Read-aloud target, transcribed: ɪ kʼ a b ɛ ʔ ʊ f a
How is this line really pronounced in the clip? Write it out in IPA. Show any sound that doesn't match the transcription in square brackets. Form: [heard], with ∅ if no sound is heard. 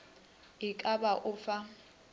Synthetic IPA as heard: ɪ kʼ a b [a] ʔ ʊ f a